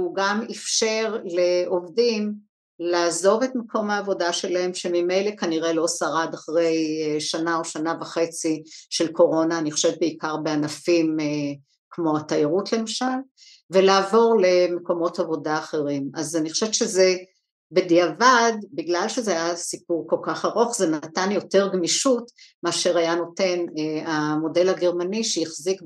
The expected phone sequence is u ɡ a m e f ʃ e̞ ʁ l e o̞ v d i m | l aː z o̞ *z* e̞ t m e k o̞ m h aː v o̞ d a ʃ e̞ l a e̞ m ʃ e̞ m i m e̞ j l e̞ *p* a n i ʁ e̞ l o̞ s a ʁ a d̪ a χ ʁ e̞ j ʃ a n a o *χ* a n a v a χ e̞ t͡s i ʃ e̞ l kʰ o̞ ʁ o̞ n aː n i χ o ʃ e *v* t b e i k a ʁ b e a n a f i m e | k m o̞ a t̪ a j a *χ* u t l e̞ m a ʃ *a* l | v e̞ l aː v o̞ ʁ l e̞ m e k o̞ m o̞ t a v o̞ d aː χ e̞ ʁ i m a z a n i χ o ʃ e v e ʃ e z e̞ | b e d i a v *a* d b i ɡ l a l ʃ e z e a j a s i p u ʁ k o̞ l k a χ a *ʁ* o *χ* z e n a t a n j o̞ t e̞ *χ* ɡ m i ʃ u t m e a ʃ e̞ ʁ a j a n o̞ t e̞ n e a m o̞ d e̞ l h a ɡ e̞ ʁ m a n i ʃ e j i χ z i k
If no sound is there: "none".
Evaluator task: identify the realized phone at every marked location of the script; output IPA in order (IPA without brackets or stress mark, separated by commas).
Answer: v, k, ʃ, v, ʁ, a, a, ʁ, χ, ʁ